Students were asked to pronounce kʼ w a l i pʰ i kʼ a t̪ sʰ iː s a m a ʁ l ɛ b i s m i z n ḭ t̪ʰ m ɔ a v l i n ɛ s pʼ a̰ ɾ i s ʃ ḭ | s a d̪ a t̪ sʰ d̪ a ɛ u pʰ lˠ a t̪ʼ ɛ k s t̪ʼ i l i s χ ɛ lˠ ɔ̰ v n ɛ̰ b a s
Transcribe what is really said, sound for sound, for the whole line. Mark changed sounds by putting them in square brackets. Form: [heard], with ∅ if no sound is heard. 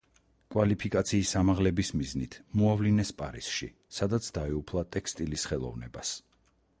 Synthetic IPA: kʼ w a l i pʰ i kʼ a t̪ sʰ iː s a m a ʁ l ɛ b i s m i z n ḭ t̪ʰ m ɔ a v l i n ɛ s pʼ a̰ ɾ i s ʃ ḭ | s a d̪ a t̪ sʰ d̪ a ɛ u pʰ lˠ a t̪ʼ ɛ k s t̪ʼ i l i s χ ɛ lˠ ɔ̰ v n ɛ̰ b a s